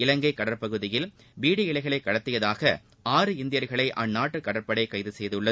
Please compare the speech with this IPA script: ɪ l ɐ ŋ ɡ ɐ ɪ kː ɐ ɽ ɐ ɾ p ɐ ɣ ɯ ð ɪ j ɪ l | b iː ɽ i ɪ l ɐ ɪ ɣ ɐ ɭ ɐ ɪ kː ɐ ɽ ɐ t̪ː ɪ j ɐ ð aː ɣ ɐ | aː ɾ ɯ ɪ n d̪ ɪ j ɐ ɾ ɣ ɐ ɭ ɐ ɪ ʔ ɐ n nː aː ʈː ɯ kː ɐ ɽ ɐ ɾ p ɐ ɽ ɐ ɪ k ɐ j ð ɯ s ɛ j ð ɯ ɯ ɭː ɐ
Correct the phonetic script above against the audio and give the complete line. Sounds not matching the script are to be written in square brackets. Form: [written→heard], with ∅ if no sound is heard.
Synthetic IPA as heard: ɪ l ɐ ŋ ɡ ɐ ɪ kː ɐ ɽ ɐ ɾ p ɐ ɣ ɯ ð ɪ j ɪ l | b iː ɽ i ɪ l ɐ ɪ ɣ ɐ ɭ ɐ ɪ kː ɐ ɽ ɐ t̪ː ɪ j ɐ ð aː ɣ ɐ | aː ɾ ɯ ɪ n d̪ ɪ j ɐ ɾ ɣ ɐ ɭ ɐ ɪ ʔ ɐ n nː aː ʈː ɯ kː ɐ ɽ ɐ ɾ p ɐ ɽ ɐ ɪ k ɐ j ð ɯ s ɛ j ð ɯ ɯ ɭː ɐ